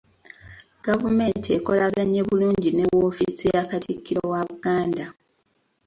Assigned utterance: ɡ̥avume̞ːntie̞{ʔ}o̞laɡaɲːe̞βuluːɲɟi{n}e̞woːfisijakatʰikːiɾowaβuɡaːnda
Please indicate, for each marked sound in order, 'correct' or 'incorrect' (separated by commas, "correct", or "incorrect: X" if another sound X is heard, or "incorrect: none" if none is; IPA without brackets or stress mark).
incorrect: k, correct